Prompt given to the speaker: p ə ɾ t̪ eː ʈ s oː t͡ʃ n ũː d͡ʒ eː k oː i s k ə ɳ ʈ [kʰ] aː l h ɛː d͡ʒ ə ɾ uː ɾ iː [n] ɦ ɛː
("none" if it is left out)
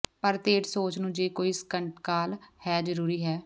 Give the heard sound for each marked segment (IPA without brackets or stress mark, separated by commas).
k, none